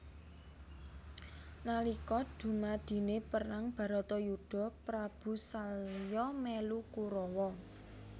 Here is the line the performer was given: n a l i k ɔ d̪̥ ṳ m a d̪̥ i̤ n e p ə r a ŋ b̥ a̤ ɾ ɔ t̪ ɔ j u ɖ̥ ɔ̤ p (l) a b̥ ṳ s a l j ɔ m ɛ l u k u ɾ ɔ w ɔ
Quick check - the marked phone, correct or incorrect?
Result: incorrect